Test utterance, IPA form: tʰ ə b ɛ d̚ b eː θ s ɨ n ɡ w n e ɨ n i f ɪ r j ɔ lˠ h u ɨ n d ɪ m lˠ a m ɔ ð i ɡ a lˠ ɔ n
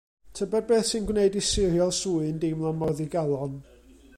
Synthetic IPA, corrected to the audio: tʰ ə b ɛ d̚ b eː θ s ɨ n ɡ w n e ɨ d i s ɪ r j ɔ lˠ s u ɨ n d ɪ m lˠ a m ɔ ð i ɡ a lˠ ɔ n